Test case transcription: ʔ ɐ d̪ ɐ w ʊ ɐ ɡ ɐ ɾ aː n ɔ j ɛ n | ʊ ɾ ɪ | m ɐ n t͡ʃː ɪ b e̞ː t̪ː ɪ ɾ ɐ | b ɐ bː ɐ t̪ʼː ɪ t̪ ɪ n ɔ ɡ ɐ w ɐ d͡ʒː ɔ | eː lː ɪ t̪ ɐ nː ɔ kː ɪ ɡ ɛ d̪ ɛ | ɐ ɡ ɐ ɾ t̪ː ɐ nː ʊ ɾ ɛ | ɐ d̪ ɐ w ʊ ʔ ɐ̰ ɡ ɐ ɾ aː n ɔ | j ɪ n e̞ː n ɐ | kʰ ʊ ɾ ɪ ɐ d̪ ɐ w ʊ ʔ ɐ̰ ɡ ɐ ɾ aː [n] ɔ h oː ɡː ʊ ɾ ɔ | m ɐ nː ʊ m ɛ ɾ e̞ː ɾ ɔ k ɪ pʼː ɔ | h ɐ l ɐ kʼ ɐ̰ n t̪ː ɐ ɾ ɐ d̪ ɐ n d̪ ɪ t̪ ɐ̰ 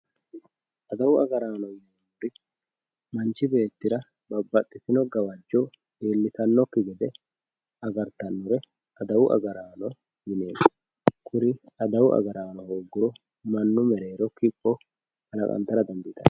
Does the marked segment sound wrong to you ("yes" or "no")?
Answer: no